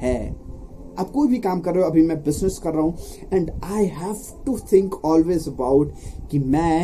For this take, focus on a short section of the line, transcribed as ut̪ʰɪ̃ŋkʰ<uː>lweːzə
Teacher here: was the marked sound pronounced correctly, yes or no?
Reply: no